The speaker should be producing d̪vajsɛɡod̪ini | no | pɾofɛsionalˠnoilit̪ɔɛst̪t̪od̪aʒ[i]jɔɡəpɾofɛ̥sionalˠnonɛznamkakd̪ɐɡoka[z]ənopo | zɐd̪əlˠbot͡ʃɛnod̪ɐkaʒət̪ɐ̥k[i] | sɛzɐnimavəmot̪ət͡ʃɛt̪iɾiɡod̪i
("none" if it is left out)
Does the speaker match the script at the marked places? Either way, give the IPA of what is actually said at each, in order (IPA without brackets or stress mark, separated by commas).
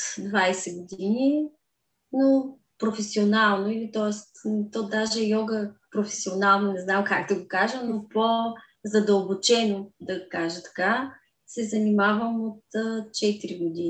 ɛ, ʒ, a